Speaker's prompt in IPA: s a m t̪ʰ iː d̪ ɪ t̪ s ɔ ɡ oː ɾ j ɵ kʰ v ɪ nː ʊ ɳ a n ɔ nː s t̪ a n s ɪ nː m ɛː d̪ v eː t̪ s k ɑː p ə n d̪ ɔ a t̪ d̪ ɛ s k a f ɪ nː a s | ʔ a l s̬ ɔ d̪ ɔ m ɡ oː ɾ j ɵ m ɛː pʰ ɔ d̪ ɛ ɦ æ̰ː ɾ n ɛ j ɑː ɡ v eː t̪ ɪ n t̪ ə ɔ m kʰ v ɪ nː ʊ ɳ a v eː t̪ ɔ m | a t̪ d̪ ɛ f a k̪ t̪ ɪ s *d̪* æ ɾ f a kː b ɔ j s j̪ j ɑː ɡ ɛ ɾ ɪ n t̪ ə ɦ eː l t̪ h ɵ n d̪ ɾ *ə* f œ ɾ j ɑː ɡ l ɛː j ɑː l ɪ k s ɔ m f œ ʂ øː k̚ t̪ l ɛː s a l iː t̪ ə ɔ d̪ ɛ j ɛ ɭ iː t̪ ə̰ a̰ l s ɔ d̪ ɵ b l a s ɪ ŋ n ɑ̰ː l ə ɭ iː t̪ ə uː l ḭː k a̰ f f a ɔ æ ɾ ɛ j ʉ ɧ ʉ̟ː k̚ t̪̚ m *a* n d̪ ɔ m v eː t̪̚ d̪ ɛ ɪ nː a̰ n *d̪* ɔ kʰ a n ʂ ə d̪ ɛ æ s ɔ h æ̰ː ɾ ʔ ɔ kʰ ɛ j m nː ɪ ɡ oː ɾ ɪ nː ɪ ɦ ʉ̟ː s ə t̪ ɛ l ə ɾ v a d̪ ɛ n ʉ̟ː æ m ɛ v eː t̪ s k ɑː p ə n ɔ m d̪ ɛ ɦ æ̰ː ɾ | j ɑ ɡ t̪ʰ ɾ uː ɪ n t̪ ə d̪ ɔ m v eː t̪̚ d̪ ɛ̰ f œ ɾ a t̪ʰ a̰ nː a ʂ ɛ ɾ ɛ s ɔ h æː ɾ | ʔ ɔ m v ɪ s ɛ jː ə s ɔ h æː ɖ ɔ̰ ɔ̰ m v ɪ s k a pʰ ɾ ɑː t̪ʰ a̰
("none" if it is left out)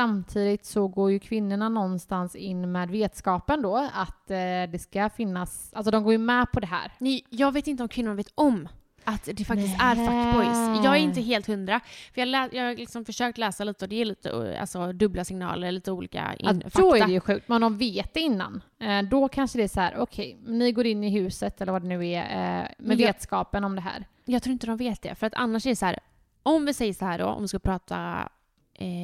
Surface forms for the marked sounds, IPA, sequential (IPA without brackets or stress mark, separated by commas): t̪, a, ɛ, d̪